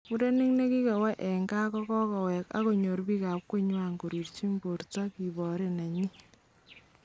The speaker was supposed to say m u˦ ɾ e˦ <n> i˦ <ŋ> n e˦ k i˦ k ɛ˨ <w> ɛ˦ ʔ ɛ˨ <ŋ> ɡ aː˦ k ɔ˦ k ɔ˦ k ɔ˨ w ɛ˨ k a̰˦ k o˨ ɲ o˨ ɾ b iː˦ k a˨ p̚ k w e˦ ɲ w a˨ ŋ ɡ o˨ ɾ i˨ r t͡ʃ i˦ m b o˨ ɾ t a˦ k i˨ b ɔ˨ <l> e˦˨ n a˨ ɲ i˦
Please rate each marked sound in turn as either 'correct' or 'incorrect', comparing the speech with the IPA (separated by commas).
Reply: correct, correct, correct, correct, incorrect